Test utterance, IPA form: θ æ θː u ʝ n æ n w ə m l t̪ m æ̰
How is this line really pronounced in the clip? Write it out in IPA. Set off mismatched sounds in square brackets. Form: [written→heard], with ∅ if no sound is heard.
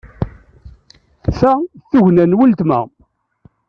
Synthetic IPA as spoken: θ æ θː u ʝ n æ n w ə [m→∅] l t̪ m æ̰